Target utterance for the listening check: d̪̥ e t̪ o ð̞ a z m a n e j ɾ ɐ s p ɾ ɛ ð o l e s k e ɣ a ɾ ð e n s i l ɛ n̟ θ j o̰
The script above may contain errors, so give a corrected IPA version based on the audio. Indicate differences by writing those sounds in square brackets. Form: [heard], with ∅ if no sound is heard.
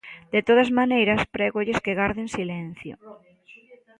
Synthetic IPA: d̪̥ e t̪ o ð̞ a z m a n e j ɾ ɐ s p ɾ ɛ [ɣ] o [ʎ] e s k e ɣ a ɾ ð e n s i l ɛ n̟ θ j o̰